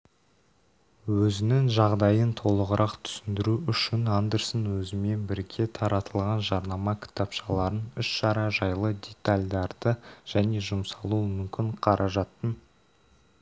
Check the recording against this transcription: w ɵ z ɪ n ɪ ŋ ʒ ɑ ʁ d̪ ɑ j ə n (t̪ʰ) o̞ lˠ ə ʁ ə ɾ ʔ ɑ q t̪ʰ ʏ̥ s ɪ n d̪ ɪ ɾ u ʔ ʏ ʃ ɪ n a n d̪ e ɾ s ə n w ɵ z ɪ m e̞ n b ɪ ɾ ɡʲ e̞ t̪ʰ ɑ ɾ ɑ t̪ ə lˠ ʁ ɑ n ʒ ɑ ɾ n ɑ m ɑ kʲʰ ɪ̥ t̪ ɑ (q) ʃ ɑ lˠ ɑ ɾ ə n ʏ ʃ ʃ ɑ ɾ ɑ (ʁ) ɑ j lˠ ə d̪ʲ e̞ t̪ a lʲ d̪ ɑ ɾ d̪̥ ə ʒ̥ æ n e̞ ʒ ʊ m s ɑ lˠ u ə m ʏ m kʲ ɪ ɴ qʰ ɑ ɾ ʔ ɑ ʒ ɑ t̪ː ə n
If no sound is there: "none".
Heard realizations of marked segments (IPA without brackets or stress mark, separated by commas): t̪ʰ, p, ʒ